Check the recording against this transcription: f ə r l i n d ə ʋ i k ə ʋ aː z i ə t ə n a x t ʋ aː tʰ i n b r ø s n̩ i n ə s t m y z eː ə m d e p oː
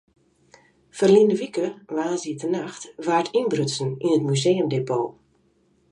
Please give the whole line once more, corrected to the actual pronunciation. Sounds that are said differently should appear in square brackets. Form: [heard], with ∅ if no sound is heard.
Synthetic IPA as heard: f ə r l i n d ə ʋ i k ə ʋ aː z i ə t ə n a x t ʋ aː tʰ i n b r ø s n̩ i n ə [∅] t m y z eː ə m d e p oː